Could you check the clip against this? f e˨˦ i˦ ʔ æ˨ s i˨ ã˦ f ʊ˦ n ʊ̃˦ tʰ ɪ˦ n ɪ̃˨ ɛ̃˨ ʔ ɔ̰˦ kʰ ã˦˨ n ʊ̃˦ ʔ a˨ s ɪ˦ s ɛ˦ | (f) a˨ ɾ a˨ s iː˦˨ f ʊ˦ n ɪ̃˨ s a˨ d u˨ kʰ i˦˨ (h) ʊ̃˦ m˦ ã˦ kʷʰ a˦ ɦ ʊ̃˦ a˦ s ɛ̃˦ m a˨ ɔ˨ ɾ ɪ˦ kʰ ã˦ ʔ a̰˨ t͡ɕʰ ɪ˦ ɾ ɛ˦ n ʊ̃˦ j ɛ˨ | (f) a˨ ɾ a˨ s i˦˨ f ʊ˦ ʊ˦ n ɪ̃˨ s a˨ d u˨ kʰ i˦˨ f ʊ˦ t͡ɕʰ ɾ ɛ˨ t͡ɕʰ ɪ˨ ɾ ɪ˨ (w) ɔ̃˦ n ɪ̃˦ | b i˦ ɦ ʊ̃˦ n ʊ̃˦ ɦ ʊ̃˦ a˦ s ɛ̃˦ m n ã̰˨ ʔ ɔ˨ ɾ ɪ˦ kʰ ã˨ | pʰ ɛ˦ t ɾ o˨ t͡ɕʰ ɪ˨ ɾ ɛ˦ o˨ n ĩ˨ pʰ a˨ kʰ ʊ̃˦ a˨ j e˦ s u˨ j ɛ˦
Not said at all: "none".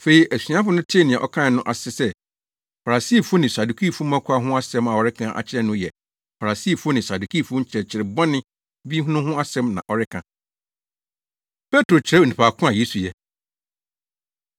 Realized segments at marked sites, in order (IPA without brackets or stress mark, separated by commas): f, f, f, b